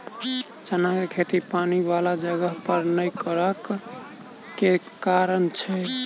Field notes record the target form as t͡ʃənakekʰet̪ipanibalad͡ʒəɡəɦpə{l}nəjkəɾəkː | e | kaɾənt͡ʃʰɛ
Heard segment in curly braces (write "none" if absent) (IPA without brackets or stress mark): ɾ